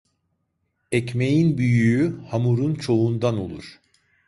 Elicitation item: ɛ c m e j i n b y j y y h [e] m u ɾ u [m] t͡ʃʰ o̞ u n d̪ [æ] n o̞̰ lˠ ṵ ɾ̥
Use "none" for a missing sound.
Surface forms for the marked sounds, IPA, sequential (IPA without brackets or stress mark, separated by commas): a, n, a